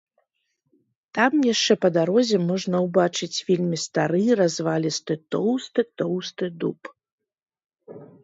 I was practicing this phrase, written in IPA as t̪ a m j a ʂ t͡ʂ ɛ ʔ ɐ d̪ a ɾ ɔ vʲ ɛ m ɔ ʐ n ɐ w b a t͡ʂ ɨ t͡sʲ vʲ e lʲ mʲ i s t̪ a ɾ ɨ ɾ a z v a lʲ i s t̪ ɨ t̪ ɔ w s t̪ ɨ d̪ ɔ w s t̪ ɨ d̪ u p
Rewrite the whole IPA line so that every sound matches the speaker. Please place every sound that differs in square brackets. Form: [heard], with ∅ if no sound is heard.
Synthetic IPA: t̪ a m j a ʂ t͡ʂ ɛ [p] ɐ d̪ a ɾ ɔ [zʲ] ɛ m ɔ ʐ n ɐ w b a t͡ʂ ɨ t͡sʲ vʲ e lʲ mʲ i s t̪ a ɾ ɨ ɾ a z v a lʲ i s t̪ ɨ t̪ ɔ w s t̪ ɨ [t̪] ɔ w s t̪ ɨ d̪ u p

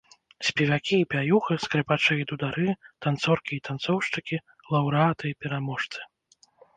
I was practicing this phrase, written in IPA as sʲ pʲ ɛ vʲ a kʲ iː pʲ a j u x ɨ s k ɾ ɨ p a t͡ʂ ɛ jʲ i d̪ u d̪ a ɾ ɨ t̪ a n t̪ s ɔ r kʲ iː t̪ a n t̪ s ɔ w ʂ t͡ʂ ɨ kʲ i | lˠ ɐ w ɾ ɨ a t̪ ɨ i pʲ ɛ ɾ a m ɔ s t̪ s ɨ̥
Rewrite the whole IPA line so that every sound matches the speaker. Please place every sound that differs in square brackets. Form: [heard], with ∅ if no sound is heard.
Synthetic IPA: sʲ pʲ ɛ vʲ a kʲ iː pʲ a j u x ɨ s k ɾ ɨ p a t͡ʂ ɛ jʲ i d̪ u d̪ a ɾ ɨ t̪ a n t̪ s ɔ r kʲ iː t̪ a n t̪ s ɔ w ʂ t͡ʂ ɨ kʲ i | lˠ ɐ w ɾ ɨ a t̪ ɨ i pʲ ɛ ɾ a m ɔ [ʂ] t̪ s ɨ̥

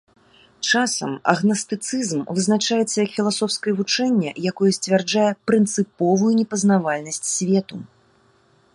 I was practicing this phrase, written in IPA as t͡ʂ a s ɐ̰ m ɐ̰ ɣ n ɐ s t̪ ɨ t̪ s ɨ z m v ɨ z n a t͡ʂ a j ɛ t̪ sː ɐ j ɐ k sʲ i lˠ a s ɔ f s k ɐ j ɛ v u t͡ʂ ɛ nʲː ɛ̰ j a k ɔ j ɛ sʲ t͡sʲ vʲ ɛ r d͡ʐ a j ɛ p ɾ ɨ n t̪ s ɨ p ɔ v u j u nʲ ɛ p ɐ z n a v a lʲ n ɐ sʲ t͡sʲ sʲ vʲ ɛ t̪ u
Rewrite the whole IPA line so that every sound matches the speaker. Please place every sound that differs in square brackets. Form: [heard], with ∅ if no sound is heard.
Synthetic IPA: t͡ʂ a s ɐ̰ m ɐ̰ ɣ n ɐ s t̪ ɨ t̪ s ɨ z m v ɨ z n a t͡ʂ a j ɛ t̪ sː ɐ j ɐ k [fʲ] i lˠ a s ɔ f s k ɐ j ɛ v u t͡ʂ ɛ nʲː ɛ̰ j a k ɔ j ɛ sʲ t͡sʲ vʲ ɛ r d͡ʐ a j ɛ p ɾ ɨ n t̪ s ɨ p ɔ v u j u nʲ ɛ p ɐ z n a v a lʲ n ɐ sʲ t͡sʲ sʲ vʲ ɛ t̪ u

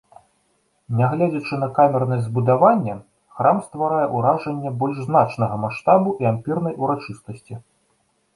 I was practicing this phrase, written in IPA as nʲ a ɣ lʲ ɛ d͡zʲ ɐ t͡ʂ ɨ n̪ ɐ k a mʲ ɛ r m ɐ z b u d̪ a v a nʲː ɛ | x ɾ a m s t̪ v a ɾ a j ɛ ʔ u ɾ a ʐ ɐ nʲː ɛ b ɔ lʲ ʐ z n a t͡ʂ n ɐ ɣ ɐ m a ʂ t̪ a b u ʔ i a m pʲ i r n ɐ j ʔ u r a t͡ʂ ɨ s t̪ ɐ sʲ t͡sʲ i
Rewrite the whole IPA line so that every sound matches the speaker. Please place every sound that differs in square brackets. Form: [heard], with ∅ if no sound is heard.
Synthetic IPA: nʲ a ɣ lʲ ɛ d͡zʲ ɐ t͡ʂ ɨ n̪ ɐ k a mʲ ɛ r [n] ɐ z b u d̪ a v a nʲː ɛ | x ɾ a m s t̪ v a ɾ a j ɛ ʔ u ɾ a ʐ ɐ nʲː ɛ b ɔ lʲ ʐ z n a t͡ʂ n ɐ ɣ ɐ m a ʂ t̪ a b u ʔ i a m pʲ i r n ɐ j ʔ u [ɾ] a t͡ʂ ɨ s t̪ ɐ sʲ t͡sʲ i

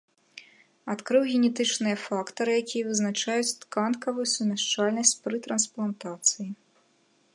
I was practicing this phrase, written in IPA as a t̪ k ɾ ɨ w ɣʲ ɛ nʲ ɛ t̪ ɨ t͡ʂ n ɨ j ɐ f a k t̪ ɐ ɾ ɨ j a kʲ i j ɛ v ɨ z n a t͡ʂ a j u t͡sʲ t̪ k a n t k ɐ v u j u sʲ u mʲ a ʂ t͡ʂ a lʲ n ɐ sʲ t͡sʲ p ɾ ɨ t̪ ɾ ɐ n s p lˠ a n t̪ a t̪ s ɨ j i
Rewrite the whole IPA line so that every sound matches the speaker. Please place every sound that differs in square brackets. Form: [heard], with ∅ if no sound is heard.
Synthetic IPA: a t̪ k ɾ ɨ w ɣʲ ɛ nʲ ɛ t̪ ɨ t͡ʂ n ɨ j ɐ f a k t̪ ɐ ɾ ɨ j a kʲ i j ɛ v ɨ z n a t͡ʂ a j u t͡sʲ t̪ k a n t k ɐ v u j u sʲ u mʲ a ʂ t͡ʂ a lʲ n ɐ sʲ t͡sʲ p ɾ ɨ t̪ ɾ ɐ n s p lˠ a n t̪ a t̪ s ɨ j i

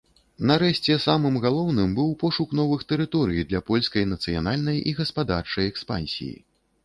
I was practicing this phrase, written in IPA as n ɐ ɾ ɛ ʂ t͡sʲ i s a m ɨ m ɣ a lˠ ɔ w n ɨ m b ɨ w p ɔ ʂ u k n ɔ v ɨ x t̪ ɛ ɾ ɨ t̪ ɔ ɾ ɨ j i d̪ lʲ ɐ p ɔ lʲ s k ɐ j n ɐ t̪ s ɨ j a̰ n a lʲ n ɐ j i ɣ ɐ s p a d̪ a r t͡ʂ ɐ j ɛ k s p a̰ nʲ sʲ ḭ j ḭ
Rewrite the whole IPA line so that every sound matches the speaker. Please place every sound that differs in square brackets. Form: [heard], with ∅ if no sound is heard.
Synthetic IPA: n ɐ ɾ ɛ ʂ t͡sʲ [ɛ] s a m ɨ m ɣ a lˠ ɔ w n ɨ m b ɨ w p ɔ ʂ u k n ɔ v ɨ x t̪ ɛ ɾ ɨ t̪ ɔ ɾ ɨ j i d̪ lʲ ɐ p ɔ lʲ s k ɐ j n ɐ t̪ s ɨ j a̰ n a lʲ n ɐ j i ɣ ɐ s p a d̪ a r t͡ʂ ɐ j ɛ k s p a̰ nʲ sʲ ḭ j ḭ

